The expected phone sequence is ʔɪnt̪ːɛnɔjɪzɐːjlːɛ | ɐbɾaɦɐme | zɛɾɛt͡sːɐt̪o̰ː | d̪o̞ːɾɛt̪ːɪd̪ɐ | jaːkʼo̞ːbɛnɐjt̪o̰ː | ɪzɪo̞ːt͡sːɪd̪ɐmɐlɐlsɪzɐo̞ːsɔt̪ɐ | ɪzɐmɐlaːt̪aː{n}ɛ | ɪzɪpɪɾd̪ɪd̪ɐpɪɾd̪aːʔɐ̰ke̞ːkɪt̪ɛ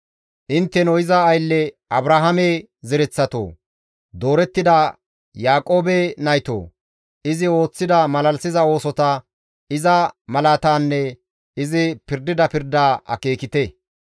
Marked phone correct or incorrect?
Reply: incorrect